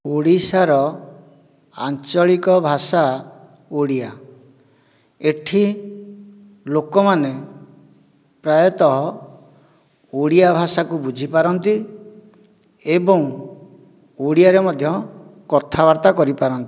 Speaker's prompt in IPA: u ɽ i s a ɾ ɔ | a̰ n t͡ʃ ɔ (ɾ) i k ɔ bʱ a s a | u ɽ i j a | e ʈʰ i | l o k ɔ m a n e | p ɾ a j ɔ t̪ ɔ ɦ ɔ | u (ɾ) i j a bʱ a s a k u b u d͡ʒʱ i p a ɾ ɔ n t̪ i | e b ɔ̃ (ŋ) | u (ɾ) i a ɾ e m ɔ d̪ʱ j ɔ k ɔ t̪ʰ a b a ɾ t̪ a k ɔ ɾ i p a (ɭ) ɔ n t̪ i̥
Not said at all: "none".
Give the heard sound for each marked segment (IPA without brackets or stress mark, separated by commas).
ɭ, ɽ, ŋ, ɽ, ɾ